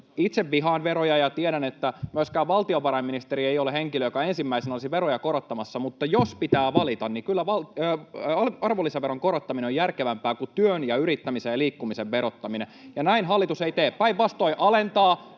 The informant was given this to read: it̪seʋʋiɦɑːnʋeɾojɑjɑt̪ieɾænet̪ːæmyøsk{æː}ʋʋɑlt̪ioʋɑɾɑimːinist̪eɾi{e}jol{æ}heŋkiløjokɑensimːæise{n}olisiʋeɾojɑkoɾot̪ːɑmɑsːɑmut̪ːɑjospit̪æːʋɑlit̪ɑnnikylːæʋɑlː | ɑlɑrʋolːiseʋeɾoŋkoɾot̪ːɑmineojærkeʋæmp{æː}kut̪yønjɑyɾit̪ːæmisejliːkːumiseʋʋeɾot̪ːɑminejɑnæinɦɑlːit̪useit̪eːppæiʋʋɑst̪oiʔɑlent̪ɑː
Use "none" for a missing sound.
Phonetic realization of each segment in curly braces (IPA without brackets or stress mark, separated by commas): æː, e, e, n, æː